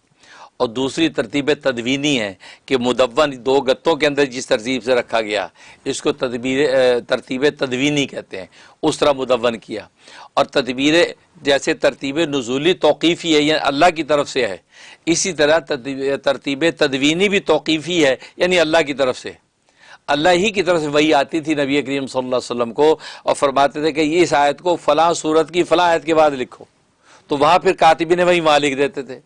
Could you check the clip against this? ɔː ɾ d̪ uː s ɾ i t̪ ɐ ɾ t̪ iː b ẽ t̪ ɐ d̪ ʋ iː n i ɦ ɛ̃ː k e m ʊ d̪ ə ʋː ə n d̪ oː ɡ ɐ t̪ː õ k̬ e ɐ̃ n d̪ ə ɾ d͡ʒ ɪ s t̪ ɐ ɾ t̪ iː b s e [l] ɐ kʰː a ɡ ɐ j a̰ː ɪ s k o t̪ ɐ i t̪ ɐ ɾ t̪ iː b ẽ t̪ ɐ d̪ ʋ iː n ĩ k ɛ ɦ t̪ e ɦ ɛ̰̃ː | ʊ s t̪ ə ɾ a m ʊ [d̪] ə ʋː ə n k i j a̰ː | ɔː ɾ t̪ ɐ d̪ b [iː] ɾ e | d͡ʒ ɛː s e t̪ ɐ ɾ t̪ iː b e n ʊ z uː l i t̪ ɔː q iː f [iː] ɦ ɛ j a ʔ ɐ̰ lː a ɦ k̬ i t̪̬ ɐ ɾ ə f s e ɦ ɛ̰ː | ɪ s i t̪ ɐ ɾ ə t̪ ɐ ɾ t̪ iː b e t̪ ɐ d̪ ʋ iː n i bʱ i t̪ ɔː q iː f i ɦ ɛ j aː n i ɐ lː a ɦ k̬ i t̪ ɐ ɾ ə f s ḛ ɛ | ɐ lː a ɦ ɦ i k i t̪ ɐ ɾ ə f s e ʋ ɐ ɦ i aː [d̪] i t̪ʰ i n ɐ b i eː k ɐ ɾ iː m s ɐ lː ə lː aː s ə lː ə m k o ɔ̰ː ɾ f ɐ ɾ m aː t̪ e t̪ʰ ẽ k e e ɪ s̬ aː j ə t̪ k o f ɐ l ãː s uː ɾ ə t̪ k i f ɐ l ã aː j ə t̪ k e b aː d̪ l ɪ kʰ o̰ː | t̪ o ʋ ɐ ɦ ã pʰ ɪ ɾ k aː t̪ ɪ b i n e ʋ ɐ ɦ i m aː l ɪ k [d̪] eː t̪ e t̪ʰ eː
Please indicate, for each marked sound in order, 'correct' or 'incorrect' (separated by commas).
incorrect, correct, correct, incorrect, incorrect, correct